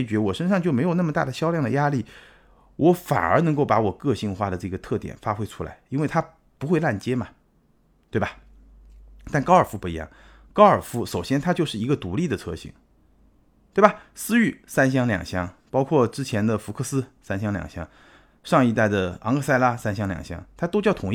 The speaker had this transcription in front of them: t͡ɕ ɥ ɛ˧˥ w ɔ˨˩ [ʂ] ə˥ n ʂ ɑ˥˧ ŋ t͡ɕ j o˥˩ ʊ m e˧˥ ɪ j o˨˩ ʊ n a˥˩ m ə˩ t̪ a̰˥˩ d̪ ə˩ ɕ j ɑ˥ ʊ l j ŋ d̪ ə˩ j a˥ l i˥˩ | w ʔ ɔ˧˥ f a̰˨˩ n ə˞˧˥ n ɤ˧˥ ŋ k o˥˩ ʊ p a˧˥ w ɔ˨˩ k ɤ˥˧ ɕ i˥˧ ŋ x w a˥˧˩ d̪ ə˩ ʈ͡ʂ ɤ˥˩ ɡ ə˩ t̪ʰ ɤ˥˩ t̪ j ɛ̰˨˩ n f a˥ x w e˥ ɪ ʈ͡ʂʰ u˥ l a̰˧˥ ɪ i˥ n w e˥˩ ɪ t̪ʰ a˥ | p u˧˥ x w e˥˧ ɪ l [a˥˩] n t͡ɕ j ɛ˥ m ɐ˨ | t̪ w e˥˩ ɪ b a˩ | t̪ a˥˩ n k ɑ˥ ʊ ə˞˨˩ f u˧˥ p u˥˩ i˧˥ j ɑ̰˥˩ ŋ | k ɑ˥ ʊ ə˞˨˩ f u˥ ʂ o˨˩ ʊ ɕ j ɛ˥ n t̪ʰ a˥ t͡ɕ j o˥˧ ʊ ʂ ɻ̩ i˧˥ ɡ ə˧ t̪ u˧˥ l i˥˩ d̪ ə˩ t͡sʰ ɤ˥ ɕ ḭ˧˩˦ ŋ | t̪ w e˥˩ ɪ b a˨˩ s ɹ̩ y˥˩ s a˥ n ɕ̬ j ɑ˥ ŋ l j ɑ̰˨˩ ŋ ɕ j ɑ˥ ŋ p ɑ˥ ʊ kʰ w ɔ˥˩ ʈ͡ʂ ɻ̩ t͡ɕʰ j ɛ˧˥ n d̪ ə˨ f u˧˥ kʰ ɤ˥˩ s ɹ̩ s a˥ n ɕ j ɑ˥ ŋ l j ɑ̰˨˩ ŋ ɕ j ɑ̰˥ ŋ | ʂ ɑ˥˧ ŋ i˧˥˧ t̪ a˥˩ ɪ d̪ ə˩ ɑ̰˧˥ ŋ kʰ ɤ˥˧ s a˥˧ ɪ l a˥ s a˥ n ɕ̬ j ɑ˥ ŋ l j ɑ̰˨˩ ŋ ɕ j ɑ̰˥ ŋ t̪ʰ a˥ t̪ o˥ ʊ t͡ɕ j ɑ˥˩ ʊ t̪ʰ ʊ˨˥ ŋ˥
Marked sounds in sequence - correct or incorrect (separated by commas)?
correct, correct